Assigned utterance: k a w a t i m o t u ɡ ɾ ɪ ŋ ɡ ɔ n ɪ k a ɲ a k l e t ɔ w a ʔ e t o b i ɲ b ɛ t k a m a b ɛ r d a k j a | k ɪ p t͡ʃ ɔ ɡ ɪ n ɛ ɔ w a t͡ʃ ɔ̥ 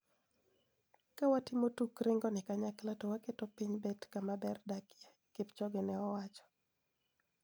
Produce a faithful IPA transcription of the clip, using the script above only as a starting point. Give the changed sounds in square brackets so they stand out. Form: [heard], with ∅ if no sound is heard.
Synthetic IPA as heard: k a w a t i m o t u [k] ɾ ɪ ŋ ɡ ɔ n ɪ k a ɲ a k l [a] t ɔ w a [k] e t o [p] i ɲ b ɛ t k a m a b ɛ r d a k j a | k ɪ p t͡ʃ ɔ ɡ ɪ n ɛ ɔ w a t͡ʃ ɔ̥

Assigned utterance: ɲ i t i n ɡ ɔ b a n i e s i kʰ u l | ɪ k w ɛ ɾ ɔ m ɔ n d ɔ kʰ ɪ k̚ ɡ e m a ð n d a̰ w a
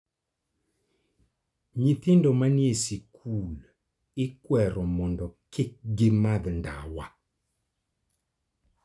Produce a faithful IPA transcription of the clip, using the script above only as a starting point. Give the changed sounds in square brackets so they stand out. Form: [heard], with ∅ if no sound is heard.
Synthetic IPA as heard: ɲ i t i n [d] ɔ [m] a n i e s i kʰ u l | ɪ k w ɛ ɾ ɔ m ɔ n d ɔ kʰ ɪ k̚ ɡ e m a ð n d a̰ w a

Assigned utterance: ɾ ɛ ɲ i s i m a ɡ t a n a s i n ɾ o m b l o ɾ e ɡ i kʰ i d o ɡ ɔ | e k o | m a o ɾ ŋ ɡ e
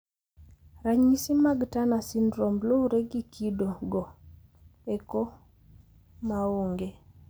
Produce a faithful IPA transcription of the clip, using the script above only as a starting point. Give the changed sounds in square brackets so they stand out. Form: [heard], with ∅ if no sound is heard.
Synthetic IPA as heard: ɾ [a] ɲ i s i m a ɡ t a n a s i n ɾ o m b l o ɾ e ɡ i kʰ i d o ɡ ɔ | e k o | m a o [∅] ŋ ɡ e

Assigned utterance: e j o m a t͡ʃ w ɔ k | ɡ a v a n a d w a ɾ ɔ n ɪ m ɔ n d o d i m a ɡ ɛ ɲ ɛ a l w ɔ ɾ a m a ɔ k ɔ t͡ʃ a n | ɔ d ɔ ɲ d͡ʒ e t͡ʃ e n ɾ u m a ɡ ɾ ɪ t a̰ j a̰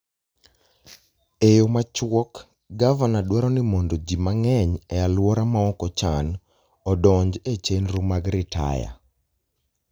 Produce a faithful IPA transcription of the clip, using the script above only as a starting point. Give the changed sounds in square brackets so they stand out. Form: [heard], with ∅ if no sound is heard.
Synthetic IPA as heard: e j o m a t͡ʃ w ɔ k | ɡ a v a n a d w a ɾ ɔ n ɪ m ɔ n d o [d͡ʒ] i m a [ŋ] ɛ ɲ ɛ a l w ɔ ɾ a m a ɔ k ɔ t͡ʃ a n | ɔ d ɔ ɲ d͡ʒ e t͡ʃ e n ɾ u m a ɡ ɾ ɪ t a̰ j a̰

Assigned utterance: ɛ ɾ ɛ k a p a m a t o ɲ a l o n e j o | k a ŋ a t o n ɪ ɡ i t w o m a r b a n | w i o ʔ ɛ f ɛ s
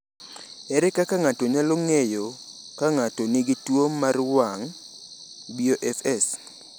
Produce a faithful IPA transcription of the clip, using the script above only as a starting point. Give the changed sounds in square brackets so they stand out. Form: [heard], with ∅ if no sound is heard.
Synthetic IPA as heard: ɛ ɾ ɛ k a [k] a [ŋ] a t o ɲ a l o [ŋ] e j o | k a ŋ a t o n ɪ ɡ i t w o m a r [w] a [ŋ] | [b] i o ʔ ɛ f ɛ s

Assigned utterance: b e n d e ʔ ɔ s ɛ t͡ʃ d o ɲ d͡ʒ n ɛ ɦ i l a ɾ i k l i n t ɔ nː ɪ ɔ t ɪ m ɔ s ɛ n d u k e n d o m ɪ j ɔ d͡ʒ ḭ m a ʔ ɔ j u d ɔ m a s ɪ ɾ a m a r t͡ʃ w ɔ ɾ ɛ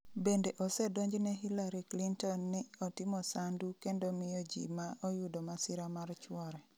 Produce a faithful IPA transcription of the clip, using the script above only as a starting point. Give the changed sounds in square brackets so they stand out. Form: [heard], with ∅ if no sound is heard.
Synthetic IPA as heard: b e n d e ʔ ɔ s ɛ [∅] d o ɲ d͡ʒ n ɛ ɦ i l a ɾ i k l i n t ɔ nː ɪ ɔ t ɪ m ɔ s [a] n d u k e n d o m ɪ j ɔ d͡ʒ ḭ m a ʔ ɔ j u d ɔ m a s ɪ ɾ a m a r t͡ʃ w ɔ ɾ ɛ

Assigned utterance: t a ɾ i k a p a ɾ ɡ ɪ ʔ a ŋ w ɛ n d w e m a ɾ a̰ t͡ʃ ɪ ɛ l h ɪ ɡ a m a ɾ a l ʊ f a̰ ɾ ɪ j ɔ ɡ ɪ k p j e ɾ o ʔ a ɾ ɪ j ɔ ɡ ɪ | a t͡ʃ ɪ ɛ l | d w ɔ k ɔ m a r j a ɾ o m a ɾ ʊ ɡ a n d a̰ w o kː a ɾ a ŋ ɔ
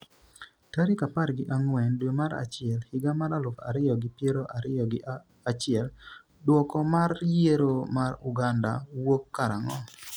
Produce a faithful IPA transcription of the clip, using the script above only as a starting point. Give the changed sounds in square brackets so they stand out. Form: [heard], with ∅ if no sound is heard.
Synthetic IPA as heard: t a ɾ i k a p a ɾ ɡ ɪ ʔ a ŋ w ɛ n d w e m a ɾ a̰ t͡ʃ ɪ ɛ l h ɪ ɡ a m a ɾ a l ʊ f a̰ ɾ ɪ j ɔ ɡ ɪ [∅] p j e ɾ o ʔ a ɾ ɪ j ɔ ɡ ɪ | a t͡ʃ ɪ ɛ l | d w ɔ k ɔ m a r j [e] ɾ o m a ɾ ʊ ɡ a n d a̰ w o kː a ɾ a ŋ ɔ

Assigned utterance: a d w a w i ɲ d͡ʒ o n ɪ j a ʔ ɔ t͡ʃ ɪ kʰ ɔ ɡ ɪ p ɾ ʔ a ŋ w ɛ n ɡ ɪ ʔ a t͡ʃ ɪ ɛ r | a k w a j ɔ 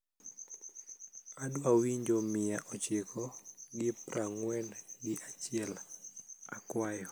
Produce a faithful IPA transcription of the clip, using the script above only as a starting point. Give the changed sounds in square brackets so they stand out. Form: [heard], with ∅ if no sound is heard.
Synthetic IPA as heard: a d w a w i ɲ d͡ʒ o [m] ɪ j a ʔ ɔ t͡ʃ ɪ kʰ ɔ ɡ ɪ p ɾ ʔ a ŋ w ɛ n ɡ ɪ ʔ a t͡ʃ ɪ ɛ [l] | a k w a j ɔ

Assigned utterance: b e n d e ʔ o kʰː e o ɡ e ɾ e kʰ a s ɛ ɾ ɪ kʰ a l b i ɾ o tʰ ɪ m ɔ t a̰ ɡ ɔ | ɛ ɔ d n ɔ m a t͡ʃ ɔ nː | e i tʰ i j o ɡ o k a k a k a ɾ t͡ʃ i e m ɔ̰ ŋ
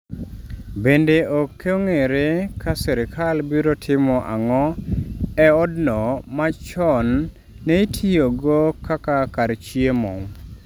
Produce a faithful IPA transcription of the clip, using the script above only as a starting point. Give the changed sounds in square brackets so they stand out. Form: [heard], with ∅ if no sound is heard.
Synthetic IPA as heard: b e n d e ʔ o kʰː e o [ŋ] e ɾ e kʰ a s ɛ ɾ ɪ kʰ a l b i ɾ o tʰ ɪ m ɔ [ʔ] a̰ [ŋ] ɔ | ɛ ɔ d n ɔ m a t͡ʃ ɔ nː | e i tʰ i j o ɡ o k a k a k a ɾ t͡ʃ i e m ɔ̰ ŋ

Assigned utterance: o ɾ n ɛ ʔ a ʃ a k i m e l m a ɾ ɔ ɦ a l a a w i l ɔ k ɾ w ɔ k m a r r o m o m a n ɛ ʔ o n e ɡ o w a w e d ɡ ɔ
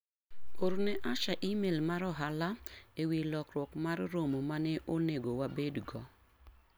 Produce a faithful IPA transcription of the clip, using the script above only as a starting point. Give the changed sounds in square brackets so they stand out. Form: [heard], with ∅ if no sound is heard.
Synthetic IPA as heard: o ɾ n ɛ ʔ a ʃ a [ʔ] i m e l m a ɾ ɔ ɦ a l a [e] w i l ɔ k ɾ w ɔ k m a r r o m o m a n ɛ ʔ o n e ɡ o w a [b] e d ɡ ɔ

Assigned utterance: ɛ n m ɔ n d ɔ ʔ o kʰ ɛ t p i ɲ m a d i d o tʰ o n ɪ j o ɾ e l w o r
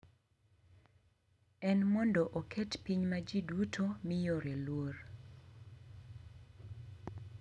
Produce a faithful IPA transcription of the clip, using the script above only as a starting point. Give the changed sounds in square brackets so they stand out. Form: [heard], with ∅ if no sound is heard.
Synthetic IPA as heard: ɛ n m ɔ n d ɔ ʔ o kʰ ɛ t p i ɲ m a [d͡ʒ] i d [u] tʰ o [m] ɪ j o ɾ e l w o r

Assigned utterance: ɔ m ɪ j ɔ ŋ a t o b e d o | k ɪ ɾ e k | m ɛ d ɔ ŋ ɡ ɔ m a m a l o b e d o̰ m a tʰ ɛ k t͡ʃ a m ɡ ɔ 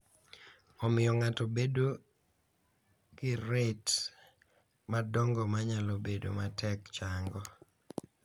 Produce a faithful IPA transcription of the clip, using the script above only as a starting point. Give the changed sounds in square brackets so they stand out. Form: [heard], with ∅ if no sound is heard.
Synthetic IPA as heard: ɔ m ɪ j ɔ ŋ a t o b e d o | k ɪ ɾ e [t] | m [a] d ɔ ŋ ɡ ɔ m a [ɲ] a l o b e d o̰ m a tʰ ɛ k t͡ʃ a [ŋ] ɡ ɔ

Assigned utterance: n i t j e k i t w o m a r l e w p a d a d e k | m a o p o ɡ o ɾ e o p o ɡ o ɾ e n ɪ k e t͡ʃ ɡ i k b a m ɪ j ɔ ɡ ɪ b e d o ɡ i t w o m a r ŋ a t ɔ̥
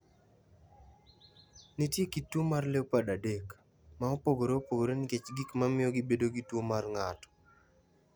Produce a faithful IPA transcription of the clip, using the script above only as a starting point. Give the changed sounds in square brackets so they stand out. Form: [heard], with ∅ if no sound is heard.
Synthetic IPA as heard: n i t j e k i t w o m a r l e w p a d a d e k | m a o p o ɡ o ɾ e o p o ɡ o ɾ e n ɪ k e t͡ʃ ɡ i k [m] a m ɪ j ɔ ɡ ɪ b e d o ɡ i t w o m a r ŋ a t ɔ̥

